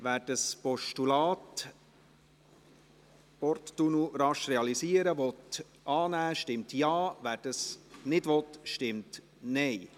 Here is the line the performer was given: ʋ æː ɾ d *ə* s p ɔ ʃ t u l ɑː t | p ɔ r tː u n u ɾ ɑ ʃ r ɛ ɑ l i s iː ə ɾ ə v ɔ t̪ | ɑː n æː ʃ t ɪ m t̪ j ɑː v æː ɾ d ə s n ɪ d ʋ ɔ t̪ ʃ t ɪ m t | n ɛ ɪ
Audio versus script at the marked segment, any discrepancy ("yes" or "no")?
no